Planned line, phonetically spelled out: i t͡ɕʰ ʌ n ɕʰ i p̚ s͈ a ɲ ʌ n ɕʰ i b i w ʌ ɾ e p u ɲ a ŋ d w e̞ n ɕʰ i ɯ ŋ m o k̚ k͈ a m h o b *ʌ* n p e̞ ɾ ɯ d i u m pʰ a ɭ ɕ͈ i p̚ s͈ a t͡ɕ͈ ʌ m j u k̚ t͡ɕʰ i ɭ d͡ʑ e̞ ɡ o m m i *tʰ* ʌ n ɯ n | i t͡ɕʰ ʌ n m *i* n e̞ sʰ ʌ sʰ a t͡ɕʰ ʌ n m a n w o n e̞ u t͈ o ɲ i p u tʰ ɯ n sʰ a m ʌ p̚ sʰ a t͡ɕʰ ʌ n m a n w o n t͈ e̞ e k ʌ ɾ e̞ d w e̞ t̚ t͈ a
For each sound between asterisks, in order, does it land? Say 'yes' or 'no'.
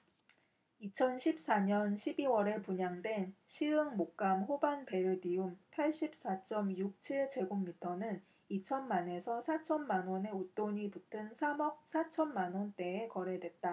no, yes, no

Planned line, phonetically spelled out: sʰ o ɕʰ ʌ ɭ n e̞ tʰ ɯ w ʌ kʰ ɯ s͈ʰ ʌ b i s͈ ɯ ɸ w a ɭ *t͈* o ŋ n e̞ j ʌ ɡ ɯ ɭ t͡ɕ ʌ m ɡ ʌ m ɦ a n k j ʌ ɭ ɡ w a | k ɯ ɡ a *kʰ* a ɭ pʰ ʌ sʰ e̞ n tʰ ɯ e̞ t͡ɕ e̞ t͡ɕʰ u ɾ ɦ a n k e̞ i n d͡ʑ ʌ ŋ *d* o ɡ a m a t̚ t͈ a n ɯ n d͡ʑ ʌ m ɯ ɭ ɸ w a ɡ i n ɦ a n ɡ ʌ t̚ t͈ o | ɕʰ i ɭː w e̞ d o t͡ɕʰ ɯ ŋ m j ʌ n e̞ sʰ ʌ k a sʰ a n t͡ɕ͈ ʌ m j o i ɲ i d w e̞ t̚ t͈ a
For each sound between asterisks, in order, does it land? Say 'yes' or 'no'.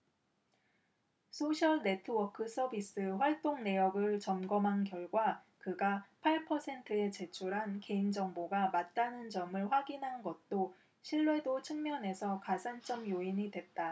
yes, no, no

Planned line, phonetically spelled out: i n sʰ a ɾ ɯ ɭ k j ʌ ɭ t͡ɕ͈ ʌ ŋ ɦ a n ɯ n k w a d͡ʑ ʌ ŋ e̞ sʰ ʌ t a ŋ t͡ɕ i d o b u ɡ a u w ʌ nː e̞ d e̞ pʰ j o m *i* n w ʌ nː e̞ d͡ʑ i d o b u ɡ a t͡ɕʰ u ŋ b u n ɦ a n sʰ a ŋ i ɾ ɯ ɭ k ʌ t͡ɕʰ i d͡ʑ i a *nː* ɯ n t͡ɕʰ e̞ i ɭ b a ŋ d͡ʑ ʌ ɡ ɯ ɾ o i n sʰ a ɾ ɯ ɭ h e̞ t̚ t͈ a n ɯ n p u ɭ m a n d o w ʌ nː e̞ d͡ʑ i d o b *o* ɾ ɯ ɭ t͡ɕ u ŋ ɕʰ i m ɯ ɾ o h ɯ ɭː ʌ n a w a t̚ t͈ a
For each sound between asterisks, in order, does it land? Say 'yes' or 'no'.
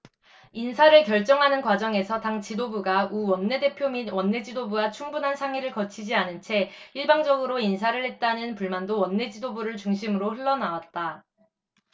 yes, no, no

